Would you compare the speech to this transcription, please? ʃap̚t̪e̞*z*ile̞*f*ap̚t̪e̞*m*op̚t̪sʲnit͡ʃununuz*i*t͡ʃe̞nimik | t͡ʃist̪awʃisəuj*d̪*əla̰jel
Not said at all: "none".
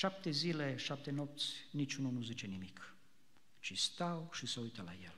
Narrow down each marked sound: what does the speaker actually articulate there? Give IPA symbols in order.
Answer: z, ʃ, n, i, t̪

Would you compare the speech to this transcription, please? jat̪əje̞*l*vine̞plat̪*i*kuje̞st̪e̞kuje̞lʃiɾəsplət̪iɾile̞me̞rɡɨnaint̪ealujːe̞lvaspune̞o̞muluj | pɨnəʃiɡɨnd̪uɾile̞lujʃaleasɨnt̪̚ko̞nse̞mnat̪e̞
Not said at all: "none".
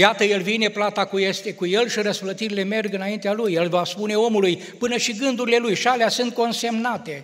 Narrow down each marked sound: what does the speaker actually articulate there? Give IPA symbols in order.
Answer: l, a

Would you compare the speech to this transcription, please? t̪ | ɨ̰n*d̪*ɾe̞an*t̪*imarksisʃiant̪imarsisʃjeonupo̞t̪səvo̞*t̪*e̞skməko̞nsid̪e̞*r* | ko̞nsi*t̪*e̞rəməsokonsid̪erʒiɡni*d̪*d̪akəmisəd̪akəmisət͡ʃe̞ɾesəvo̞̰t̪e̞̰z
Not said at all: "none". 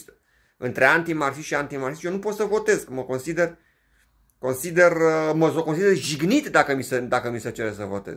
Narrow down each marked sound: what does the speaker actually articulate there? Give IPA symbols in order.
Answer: t̪, t̪, t̪, r, d̪, t̪

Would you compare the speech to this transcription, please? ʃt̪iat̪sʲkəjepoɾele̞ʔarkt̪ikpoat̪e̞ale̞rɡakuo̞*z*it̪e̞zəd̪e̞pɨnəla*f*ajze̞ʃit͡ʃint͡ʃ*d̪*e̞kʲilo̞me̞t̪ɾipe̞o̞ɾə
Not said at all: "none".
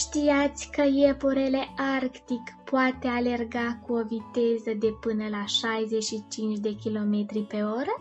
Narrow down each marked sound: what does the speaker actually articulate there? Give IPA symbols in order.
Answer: v, ʃ, d̪

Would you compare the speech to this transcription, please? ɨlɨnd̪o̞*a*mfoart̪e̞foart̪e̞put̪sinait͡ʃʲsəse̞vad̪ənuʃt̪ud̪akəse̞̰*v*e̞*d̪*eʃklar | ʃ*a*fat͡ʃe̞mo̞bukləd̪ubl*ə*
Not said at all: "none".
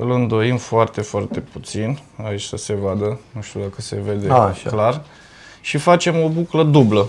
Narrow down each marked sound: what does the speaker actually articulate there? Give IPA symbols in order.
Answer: i, v, d̪, i, ə

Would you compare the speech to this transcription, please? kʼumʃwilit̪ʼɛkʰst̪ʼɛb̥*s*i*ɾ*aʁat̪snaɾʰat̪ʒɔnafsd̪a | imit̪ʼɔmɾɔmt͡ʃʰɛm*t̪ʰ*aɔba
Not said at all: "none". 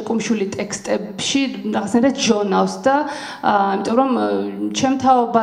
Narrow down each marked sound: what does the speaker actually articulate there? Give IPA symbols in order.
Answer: ʃ, ɾ, t̪ʰ

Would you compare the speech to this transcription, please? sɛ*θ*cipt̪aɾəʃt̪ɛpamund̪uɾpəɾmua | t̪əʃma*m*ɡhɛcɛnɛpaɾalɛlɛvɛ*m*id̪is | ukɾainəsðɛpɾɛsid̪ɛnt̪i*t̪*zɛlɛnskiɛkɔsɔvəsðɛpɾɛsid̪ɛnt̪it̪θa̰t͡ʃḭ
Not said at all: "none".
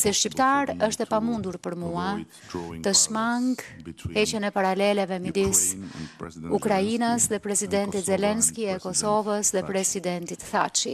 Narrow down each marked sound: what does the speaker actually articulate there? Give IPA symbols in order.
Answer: ʃ, ŋ, m, t̪

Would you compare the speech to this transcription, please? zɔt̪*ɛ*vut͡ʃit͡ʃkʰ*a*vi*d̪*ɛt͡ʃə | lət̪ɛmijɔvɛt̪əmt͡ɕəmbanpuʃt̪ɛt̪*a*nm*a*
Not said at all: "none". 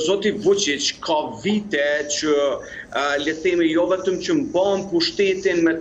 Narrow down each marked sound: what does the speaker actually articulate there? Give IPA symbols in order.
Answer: i, a, t̪, i, ɛ

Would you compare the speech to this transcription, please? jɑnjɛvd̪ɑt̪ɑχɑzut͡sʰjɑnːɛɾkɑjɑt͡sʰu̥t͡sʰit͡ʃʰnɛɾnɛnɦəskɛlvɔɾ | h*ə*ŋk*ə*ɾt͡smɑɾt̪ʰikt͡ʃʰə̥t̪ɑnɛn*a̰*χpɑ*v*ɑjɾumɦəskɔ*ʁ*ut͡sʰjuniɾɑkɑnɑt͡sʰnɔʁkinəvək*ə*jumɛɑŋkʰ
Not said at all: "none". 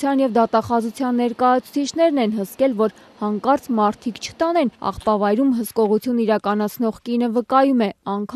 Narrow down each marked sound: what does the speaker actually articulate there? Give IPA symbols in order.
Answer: ɑ, ɑ, ɑ̰, v, ʁ, ɑ

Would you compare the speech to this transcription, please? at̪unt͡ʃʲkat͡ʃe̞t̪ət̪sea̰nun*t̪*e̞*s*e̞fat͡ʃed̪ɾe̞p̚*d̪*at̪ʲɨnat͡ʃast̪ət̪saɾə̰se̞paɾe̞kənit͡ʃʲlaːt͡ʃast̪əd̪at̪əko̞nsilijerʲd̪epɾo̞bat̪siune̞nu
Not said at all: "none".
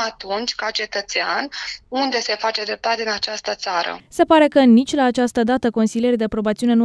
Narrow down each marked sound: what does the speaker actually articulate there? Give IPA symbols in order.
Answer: d̪, s, t̪

